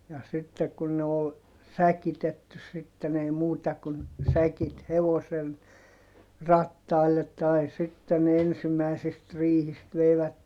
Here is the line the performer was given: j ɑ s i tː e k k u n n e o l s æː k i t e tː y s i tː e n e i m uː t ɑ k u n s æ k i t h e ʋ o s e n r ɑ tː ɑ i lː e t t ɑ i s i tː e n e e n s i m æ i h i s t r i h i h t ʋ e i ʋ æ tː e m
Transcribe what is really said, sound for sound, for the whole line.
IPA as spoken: j ɑ s i tː e k k u n n e o l s æ k i t e tː y s i tː e n e i m uː t ɑ k u n s æ k i t h e ʋ o s e n r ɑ tː ɑ i lː e t t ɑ i s i tː e n e e n s i m æ i s i s t r i h i s t ʋ e i ʋ æ tː e m